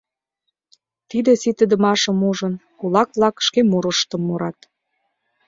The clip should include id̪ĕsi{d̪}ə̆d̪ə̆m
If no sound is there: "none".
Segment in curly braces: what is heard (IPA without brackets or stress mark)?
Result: t̪